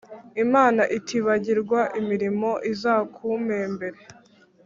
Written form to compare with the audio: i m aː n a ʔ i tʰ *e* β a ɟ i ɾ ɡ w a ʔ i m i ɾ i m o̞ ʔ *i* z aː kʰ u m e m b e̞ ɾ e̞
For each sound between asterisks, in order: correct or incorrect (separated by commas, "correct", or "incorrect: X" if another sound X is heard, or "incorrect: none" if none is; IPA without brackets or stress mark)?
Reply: incorrect: i, correct